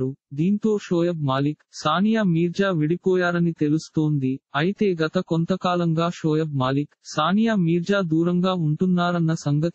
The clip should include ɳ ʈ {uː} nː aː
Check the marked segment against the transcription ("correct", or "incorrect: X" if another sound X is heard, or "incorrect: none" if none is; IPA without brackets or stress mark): incorrect: u